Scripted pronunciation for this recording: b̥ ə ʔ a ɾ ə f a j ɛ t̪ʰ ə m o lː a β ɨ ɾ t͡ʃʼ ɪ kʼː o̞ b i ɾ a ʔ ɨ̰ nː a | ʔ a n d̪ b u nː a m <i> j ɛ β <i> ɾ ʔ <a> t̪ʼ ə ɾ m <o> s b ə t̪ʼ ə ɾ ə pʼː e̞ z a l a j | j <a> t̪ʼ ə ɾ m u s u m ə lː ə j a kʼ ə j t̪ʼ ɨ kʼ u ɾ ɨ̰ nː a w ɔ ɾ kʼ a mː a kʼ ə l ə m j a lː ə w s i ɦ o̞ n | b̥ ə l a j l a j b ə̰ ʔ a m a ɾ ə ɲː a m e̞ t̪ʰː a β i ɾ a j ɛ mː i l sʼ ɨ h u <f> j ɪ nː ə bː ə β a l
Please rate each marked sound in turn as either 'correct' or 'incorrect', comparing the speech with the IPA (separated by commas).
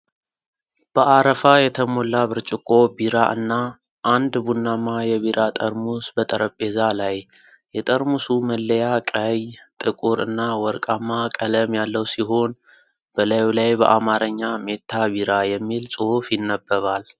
incorrect, correct, correct, incorrect, incorrect, correct